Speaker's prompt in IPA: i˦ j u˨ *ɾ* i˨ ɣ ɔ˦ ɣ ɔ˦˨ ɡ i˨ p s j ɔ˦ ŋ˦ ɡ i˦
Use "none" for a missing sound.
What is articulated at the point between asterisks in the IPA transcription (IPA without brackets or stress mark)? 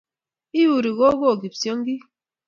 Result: ɾ